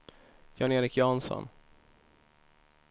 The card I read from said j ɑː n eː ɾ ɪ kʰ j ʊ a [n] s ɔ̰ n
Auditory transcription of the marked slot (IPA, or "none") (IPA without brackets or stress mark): n